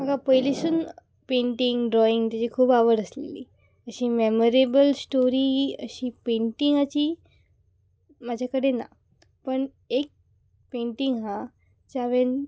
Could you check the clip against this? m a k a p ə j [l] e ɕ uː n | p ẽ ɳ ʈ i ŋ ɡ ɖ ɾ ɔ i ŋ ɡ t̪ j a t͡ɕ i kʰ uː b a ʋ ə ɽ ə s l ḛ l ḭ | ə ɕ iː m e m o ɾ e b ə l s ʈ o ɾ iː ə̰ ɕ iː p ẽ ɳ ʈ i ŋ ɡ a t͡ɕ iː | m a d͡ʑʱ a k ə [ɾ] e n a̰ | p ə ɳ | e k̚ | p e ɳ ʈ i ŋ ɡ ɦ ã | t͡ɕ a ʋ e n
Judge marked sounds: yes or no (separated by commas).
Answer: yes, no